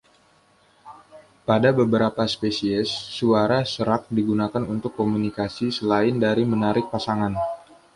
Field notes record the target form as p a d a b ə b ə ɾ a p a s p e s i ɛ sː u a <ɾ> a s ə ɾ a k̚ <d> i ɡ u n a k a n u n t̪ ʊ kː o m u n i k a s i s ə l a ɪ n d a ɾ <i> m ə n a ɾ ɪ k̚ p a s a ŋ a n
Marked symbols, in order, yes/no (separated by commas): yes, yes, yes